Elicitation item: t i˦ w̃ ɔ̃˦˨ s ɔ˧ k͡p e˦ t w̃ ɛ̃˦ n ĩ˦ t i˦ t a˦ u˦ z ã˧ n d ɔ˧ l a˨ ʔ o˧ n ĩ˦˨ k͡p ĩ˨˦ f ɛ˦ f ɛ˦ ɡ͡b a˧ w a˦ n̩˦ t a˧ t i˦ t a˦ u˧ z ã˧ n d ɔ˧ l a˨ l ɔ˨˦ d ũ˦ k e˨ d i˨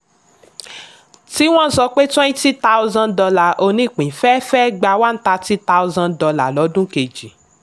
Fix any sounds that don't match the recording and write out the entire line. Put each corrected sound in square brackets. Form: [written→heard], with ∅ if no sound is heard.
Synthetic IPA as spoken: t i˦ w̃ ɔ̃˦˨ s ɔ˧ k͡p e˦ t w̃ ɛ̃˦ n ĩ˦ t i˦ t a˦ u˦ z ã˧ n d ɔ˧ l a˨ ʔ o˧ n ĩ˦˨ k͡p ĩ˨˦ f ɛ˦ f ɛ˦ ɡ͡b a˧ w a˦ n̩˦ t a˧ t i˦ t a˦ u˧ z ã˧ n d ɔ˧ l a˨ l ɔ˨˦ d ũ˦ k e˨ [d→d͡ʒ] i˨